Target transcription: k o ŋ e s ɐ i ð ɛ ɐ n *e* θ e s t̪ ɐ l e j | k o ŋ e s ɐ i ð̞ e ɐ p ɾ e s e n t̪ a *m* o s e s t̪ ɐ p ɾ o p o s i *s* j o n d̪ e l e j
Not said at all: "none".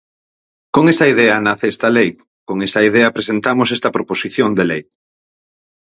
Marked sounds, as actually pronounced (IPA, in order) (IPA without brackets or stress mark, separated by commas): a, m, θ